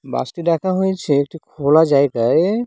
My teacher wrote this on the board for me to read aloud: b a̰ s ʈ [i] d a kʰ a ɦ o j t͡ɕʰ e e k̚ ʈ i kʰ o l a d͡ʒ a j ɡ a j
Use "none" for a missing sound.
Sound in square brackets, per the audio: i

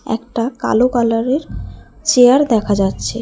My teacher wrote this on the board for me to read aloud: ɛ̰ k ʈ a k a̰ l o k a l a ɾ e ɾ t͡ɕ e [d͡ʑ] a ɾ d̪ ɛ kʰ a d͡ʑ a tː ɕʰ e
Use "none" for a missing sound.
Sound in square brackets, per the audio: none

